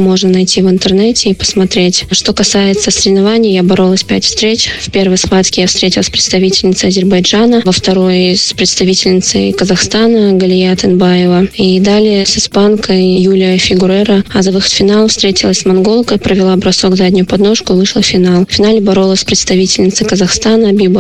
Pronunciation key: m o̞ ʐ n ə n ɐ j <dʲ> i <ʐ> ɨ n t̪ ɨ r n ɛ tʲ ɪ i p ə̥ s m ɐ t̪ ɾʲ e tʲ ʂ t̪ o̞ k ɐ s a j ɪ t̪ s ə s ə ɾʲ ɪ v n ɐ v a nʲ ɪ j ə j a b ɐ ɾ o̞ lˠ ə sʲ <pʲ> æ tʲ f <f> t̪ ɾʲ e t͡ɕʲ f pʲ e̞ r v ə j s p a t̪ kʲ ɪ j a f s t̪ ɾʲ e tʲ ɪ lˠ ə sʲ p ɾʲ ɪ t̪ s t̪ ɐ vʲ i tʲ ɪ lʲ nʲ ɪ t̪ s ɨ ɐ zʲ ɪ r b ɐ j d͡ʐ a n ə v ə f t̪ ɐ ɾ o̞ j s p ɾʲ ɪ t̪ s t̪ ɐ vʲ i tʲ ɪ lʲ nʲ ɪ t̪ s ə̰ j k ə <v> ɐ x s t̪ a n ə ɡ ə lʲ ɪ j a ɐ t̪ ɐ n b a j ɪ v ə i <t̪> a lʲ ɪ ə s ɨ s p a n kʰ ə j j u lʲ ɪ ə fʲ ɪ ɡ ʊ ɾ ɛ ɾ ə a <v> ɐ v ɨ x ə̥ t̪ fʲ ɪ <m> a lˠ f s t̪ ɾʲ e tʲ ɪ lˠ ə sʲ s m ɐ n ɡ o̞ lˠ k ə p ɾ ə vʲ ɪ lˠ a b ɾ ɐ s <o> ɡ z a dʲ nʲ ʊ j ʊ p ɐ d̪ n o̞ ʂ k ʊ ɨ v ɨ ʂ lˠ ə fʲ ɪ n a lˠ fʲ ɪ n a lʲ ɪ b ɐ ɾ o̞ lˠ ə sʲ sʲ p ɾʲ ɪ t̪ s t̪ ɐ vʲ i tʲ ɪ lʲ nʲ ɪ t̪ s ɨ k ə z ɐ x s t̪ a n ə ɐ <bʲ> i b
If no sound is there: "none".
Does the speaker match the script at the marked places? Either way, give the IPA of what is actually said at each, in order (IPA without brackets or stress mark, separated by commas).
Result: tʲ, v, pʲ, s, z, d̪, z, n, o, bʲ